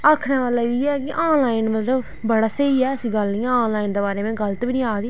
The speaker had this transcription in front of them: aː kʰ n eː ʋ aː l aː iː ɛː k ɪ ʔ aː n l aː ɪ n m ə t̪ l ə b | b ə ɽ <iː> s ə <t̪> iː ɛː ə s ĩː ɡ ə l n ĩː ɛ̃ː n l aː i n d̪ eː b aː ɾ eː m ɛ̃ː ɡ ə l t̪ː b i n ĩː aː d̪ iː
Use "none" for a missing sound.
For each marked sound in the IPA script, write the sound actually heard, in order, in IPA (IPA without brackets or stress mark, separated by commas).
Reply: aː, none